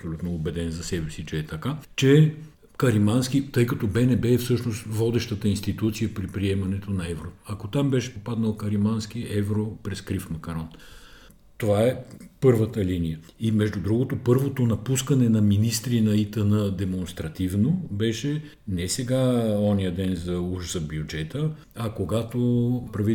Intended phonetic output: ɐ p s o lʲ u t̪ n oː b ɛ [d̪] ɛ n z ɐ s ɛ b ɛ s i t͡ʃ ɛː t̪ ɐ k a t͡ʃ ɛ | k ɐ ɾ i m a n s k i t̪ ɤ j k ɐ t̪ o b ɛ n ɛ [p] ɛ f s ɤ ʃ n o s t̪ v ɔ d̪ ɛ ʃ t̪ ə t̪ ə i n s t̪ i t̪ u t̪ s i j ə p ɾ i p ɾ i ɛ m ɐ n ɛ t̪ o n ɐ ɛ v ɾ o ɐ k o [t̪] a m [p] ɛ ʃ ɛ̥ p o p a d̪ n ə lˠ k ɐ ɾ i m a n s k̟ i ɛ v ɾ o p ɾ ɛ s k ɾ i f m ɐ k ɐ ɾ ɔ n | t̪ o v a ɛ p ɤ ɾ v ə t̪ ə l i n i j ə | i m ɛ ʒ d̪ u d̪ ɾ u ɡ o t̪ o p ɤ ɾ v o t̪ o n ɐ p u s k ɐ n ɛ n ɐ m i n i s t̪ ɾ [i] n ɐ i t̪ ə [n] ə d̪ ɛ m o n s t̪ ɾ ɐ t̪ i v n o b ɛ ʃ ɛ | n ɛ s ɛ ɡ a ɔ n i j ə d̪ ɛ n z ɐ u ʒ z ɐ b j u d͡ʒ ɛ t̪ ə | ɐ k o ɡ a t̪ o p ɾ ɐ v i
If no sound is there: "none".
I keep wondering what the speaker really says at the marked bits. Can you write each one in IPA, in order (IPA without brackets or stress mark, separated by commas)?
d̪, b, t̪, b, i, n